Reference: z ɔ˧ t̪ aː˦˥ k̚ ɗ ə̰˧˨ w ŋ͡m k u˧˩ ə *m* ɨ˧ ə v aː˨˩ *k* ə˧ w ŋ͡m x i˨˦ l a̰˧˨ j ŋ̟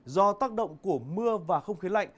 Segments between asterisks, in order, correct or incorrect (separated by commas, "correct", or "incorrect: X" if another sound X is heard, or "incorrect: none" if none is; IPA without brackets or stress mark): correct, incorrect: x